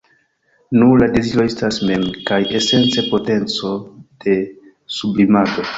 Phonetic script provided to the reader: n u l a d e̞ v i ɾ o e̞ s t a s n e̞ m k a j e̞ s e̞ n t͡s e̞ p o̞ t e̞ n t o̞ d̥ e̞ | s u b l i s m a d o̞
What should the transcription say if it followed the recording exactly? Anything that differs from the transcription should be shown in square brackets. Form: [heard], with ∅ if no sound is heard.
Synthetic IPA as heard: n u l a d e̞ [z] i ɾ o e̞ s t a s [m] e̞ m k a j e̞ s e̞ n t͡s e̞ p o̞ t e̞ n [t͡s] o̞ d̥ e̞ | s u b l i [∅] m a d o̞